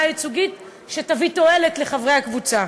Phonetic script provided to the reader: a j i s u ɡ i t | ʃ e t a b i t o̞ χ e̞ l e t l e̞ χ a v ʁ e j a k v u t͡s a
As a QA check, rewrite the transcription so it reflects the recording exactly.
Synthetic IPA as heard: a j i t͡s u ɡ i t | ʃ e t a v i t o̞ e̞ l e t l e̞ χ a v ʁ e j a k v u t͡s a